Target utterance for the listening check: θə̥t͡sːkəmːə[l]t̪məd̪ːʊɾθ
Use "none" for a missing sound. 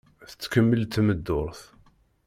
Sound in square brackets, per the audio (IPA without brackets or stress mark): l